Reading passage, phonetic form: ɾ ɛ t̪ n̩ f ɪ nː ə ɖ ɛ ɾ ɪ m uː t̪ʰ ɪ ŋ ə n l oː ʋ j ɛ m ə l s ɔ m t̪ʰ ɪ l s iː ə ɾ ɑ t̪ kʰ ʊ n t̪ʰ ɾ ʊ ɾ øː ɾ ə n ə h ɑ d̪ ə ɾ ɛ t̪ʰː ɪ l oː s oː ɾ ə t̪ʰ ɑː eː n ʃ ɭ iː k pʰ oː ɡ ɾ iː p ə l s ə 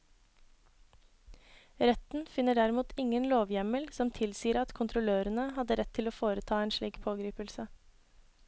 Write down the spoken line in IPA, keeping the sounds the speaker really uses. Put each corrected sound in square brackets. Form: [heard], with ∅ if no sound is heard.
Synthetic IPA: ɾ ɛ t̪ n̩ f ɪ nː ə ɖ [æ] ɾ ɪ m uː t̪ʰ ɪ ŋ ə n l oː ʋ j ɛ m ə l s ɔ m t̪ʰ ɪ l s iː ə ɾ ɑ t̪ kʰ ʊ n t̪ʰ ɾ ʊ [l] øː ɾ ə n ə h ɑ d̪ ə ɾ ɛ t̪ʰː ɪ l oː [f] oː ɾ ə t̪ʰ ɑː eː n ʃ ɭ iː k pʰ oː ɡ ɾ iː p ə l s ə